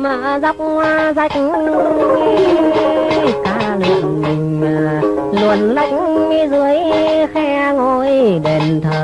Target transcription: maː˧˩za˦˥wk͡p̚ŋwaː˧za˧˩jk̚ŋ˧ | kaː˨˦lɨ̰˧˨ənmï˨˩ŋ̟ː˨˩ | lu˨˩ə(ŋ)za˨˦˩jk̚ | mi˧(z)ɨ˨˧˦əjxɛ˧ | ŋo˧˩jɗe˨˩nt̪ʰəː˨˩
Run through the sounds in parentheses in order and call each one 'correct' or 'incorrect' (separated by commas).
incorrect, correct